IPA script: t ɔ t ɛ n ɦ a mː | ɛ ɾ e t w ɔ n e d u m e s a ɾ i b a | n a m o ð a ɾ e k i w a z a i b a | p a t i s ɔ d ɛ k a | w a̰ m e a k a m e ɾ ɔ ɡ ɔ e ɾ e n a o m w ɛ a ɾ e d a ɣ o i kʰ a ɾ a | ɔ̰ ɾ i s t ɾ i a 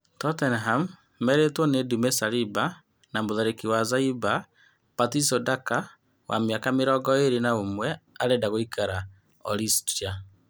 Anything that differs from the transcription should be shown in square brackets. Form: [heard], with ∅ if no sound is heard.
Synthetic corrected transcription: t ɔ t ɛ n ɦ a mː | ɛ ɾ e t w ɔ n e d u m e s a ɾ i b a | n a m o ð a ɾ e k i w a z a i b a | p a t i s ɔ d [a] k a | w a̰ m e a k a m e ɾ ɔ ɡ ɔ e ɾ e n a o m w ɛ a ɾ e d a ɣ o i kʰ a ɾ a | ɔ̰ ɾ i s t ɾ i a